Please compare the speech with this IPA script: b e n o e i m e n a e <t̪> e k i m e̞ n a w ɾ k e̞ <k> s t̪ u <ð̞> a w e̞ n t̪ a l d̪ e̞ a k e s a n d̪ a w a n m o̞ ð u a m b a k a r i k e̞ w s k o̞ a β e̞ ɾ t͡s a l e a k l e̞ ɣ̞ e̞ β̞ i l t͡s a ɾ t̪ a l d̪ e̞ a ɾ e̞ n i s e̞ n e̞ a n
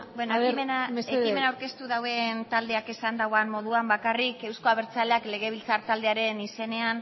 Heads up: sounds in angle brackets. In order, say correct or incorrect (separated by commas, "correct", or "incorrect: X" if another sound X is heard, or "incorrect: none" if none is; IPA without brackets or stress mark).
incorrect: none, incorrect: none, correct